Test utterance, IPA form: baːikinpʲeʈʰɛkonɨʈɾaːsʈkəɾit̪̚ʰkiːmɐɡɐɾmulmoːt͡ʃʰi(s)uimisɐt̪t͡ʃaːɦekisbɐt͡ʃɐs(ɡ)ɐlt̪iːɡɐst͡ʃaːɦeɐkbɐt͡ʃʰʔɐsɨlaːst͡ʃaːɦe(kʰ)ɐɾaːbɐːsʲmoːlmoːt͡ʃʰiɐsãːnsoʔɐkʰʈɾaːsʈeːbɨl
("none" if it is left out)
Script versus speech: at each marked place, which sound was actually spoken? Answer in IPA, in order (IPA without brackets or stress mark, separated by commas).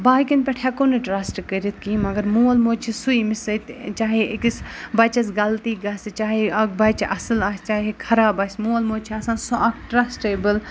s, ɡ, kʰ